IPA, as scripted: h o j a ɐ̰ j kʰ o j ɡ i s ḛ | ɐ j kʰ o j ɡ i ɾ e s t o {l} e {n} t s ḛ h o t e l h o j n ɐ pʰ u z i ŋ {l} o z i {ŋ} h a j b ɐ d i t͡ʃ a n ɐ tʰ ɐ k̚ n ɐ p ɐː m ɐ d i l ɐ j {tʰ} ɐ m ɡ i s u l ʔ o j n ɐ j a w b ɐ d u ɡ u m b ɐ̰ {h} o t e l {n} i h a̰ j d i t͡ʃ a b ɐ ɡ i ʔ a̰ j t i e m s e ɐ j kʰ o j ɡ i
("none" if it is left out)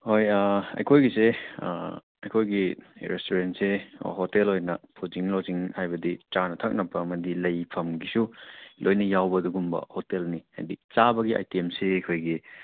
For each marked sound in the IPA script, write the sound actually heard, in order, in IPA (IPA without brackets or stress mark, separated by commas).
ɾ, n, l, ŋ, pʰ, h, n